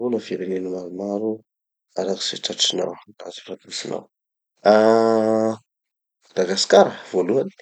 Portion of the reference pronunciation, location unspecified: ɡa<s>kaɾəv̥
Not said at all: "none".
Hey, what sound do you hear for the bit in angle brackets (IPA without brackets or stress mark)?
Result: s